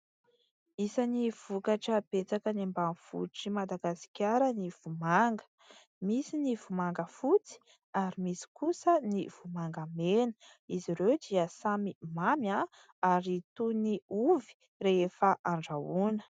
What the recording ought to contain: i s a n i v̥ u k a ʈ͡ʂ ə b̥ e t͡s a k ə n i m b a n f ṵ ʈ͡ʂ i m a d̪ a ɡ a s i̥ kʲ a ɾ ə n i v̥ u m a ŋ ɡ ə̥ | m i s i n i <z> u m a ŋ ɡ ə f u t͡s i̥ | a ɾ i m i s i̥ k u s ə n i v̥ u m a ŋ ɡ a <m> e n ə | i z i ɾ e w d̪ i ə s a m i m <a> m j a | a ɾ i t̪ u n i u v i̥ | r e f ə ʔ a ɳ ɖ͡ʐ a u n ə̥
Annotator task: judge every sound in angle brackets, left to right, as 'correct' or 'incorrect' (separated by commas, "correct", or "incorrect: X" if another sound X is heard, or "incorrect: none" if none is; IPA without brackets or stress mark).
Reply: incorrect: v, correct, correct